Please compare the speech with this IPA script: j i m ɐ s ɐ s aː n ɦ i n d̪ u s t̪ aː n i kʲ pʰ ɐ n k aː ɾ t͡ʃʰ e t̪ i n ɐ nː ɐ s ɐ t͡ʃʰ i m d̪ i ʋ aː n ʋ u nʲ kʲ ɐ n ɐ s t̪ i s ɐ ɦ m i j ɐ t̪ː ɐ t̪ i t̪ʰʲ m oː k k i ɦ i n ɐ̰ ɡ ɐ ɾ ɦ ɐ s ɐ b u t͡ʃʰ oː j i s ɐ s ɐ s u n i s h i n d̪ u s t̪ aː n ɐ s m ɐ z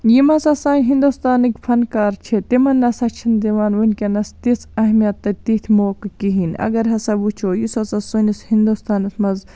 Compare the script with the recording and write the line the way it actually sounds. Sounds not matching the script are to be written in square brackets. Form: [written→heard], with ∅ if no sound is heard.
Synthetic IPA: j i m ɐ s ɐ s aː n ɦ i n d̪ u s t̪ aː n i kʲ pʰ ɐ n k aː ɾ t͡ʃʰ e t̪ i [n→m] ɐ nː ɐ s ɐ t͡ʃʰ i [m→n] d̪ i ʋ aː n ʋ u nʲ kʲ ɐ n ɐ s t̪ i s ɐ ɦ m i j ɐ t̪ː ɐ t̪ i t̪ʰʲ m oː k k i ɦ i n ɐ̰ ɡ ɐ ɾ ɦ ɐ s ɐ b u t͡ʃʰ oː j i s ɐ s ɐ s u n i s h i n d̪ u s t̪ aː n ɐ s m ɐ z